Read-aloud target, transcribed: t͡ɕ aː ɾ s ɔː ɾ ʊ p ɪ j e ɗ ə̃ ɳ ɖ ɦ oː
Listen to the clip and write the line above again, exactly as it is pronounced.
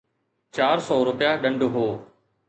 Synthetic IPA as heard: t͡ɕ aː ɾ s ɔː ɾ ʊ p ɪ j a ɗ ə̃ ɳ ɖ ɦ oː

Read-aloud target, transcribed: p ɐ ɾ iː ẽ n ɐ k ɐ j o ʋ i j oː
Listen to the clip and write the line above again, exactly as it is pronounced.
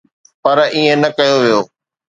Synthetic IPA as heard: p ɐ ɾ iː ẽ n ɐ k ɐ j o ʋ i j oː

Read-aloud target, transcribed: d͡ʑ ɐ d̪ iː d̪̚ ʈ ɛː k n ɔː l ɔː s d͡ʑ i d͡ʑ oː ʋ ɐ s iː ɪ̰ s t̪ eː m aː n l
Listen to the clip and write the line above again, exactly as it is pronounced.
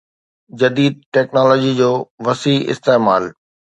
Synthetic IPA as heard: d͡ʑ ɐ d̪ iː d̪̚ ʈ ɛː k n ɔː l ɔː d͡ʑ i d͡ʑ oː ʋ ɐ s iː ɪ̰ s t̪ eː m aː l

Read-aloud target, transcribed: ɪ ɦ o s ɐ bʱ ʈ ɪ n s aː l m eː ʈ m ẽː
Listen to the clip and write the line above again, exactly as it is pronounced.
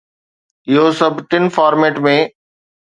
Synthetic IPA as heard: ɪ ɦ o s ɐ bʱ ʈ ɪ n f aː ɾ m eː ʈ m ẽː

